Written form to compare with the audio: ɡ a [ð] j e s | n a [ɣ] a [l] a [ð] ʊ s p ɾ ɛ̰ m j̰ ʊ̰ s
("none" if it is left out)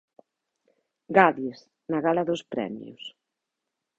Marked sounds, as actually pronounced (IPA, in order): ð, ɣ, l, ð

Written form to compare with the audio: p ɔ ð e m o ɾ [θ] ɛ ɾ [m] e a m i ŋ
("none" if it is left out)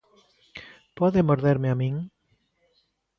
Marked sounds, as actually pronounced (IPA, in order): ð, m

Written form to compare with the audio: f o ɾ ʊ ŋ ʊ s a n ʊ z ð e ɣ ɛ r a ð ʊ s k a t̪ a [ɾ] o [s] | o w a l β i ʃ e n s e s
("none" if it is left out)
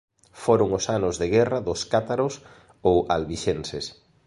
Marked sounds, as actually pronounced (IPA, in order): ɾ, s

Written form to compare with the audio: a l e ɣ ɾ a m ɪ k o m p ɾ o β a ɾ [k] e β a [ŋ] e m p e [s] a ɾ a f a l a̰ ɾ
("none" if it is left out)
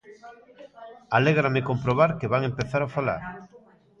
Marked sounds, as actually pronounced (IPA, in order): k, ŋ, θ

